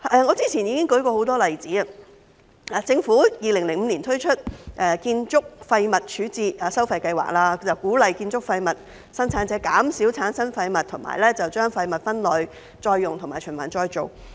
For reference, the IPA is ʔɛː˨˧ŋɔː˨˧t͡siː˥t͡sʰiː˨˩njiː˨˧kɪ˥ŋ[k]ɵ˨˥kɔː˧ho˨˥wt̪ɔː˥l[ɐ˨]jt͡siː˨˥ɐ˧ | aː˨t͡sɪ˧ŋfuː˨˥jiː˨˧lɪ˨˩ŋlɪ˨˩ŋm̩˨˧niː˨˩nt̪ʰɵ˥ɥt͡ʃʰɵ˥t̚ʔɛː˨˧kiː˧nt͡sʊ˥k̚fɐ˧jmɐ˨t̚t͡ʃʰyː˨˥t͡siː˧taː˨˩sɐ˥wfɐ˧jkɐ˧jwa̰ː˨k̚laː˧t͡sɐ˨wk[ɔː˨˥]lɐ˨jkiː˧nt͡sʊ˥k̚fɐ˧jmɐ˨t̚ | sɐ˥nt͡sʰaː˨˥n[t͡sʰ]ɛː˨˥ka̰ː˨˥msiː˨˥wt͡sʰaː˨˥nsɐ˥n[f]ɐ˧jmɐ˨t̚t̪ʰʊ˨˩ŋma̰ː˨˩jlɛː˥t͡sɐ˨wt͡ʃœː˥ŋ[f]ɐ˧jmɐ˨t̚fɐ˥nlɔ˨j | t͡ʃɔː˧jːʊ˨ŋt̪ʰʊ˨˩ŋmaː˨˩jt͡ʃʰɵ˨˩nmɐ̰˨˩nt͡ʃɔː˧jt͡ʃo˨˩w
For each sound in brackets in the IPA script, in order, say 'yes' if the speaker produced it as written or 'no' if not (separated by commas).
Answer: yes, yes, no, no, yes, yes